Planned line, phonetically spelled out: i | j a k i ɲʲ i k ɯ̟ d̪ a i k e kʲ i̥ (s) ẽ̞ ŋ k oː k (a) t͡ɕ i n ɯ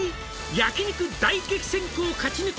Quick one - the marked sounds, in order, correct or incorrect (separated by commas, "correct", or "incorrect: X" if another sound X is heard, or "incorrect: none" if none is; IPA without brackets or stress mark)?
correct, correct